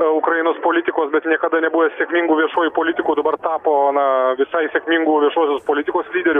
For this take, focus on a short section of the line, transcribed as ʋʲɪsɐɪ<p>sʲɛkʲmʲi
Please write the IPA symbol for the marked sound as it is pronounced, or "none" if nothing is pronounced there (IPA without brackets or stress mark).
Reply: none